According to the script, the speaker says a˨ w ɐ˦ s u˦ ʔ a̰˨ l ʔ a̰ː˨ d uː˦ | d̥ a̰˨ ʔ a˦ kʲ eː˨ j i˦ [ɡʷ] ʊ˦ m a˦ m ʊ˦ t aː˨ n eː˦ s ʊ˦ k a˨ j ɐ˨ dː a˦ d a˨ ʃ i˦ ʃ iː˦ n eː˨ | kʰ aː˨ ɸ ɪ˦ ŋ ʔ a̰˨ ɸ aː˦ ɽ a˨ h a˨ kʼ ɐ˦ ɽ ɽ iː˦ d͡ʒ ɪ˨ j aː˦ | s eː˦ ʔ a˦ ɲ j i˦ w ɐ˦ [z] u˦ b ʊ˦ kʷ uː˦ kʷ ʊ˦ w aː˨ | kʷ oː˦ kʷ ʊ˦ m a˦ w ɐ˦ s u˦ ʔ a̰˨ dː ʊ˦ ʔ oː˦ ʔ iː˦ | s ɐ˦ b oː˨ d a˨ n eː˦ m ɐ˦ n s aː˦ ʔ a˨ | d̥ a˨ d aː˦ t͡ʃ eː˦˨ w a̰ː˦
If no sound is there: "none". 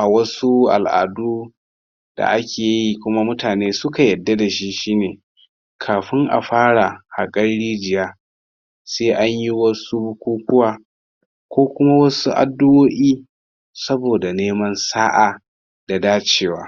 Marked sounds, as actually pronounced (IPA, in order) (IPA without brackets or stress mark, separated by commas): kʷ, s